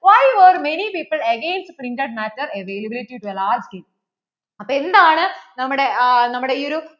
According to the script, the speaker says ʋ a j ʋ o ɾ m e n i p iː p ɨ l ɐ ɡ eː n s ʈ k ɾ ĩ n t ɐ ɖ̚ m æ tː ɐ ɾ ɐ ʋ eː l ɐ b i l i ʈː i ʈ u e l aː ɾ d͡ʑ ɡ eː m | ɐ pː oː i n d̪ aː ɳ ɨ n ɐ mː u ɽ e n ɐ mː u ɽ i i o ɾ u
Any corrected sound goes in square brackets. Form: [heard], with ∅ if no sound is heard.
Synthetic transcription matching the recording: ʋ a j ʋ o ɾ m e n i p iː p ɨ l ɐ ɡ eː n s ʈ [p] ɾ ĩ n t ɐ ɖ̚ m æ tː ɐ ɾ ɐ ʋ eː l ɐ b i l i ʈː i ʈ u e l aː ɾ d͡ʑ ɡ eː m | ɐ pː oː [e] n d̪ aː ɳ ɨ n ɐ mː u ɽ e n ɐ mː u ɽ [e] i o ɾ u